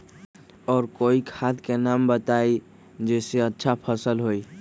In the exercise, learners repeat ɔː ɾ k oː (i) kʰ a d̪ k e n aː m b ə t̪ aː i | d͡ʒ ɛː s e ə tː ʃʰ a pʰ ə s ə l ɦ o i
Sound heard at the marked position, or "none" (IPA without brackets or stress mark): i